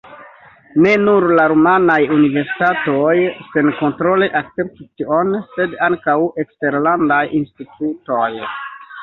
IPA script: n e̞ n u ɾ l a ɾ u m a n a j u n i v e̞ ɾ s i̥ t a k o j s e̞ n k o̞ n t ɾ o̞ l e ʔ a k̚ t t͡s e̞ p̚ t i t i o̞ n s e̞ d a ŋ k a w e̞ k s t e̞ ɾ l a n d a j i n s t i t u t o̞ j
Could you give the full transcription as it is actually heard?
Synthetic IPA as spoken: n e̞ n u ɾ l a ɾ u m a n a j u n i v e̞ ɾ s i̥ t a t o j s e̞ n k o̞ n t ɾ o̞ l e ʔ a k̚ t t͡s e̞ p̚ t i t i o̞ n s e̞ d a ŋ k a w e̞ k s t e̞ ɾ l a n d a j i n s t i t u t o̞ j